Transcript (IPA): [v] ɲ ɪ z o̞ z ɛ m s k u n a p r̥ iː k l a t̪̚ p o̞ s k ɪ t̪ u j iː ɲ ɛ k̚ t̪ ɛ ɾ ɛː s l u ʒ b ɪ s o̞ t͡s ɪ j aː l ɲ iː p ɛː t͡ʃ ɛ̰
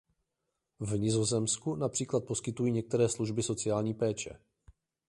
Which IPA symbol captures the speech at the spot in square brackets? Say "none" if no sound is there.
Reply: v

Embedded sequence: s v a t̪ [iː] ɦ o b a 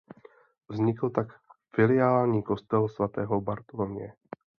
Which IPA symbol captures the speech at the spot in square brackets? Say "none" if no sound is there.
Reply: ɛː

